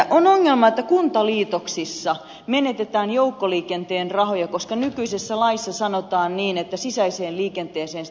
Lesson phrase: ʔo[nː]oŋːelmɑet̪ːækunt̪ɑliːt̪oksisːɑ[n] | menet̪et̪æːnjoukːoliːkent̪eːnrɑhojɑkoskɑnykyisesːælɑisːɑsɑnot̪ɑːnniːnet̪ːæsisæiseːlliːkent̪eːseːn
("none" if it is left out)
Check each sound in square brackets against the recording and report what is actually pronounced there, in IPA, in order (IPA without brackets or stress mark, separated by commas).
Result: n, none